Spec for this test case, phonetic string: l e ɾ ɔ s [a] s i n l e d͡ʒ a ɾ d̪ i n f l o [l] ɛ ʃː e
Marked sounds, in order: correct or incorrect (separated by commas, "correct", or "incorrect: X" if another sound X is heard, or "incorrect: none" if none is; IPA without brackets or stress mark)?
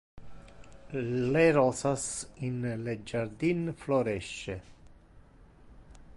correct, incorrect: ɾ